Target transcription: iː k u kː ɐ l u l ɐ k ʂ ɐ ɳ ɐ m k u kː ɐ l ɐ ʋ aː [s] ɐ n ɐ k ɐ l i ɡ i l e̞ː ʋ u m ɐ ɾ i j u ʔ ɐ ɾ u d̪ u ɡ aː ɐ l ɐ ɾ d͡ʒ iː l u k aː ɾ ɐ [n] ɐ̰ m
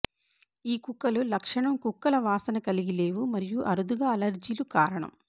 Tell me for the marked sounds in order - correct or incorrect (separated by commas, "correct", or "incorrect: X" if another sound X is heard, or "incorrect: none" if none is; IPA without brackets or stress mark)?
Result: correct, incorrect: ɳ